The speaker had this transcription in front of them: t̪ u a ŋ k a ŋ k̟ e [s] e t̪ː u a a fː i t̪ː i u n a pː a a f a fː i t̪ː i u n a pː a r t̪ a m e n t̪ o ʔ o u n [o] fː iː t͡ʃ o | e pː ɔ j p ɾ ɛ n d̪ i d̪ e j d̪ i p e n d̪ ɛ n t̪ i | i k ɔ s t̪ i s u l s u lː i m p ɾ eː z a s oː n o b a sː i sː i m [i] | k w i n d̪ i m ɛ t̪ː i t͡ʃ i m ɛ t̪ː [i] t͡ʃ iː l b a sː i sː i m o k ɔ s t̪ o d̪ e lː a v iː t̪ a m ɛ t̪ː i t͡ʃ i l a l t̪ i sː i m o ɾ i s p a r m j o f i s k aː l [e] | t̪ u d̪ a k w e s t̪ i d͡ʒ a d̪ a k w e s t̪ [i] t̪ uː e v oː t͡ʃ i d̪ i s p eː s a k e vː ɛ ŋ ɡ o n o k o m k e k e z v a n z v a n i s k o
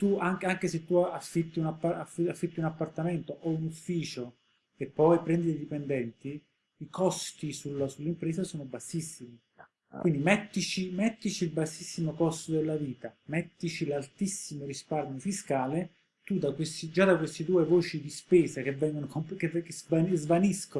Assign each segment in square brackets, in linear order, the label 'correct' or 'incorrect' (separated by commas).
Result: correct, incorrect, correct, correct, correct, correct